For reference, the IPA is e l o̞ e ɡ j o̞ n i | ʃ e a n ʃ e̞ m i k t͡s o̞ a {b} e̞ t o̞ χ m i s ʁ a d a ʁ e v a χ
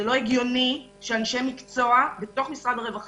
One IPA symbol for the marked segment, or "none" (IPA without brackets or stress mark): b